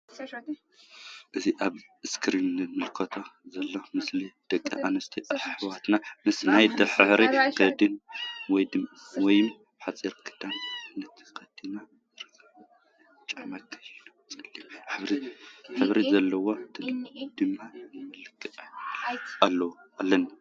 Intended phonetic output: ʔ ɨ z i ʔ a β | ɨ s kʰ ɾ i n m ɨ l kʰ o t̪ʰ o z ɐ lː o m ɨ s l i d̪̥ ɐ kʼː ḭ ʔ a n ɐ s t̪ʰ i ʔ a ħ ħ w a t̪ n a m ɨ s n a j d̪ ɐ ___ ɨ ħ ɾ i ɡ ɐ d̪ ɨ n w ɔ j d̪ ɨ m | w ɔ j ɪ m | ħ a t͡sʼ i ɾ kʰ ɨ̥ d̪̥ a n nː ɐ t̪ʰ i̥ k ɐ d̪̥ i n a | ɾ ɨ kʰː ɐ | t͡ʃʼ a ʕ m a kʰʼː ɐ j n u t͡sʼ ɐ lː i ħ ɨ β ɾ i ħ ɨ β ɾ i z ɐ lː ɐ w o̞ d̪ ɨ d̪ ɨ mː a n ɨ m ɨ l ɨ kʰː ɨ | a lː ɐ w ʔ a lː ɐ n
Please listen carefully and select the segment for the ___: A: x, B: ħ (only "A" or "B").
B